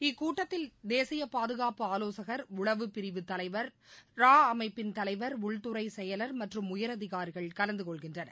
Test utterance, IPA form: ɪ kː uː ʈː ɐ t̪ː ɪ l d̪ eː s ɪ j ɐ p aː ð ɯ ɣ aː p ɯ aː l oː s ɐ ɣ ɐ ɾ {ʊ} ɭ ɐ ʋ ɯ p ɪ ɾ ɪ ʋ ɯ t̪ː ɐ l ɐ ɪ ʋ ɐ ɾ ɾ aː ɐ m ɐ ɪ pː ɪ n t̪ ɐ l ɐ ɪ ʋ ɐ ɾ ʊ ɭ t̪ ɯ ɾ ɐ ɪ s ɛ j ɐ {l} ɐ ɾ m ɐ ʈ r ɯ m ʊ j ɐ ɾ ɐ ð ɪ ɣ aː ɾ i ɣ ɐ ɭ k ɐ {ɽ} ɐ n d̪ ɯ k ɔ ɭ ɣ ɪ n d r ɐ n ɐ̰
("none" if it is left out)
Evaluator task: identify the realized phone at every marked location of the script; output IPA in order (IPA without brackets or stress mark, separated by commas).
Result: ʊ, l, l